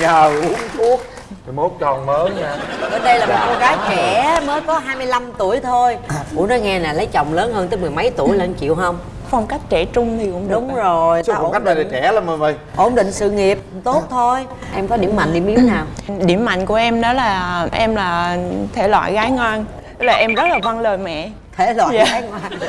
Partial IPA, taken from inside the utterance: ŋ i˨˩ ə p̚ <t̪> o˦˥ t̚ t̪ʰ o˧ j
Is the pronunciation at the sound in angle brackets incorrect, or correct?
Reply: correct